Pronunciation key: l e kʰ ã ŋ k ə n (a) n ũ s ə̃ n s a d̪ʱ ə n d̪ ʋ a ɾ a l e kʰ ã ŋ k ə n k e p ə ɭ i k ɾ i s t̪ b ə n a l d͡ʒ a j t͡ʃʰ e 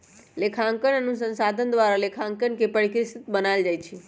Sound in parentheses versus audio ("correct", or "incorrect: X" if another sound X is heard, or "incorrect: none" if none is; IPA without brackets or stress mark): incorrect: ə